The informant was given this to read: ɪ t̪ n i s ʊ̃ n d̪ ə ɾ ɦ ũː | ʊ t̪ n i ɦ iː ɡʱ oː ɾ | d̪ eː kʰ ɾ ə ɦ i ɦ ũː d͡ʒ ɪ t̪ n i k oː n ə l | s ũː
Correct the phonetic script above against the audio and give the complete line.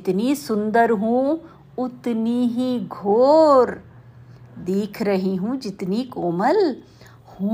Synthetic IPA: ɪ t̪ n i s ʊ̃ n d̪ ə ɾ ɦ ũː | ʊ t̪ n i ɦ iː ɡʱ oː ɾ | d̪ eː kʰ ɾ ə ɦ i ɦ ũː d͡ʒ ɪ t̪ n i k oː m ə l | h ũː